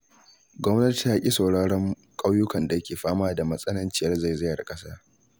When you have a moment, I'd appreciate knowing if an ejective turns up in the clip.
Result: yes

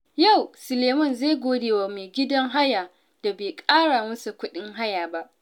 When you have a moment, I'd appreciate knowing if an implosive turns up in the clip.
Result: yes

